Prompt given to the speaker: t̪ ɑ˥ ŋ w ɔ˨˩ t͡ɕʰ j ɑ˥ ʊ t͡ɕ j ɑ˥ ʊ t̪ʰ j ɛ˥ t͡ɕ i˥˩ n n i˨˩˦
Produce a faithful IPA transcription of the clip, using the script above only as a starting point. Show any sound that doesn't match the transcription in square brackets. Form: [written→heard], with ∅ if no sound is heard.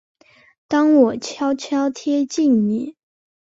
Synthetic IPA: t̪ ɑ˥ ŋ w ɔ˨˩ t͡ɕʰ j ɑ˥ ʊ [t͡ɕ→t͡ɕʰ] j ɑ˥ ʊ t̪ʰ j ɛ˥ t͡ɕ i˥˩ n n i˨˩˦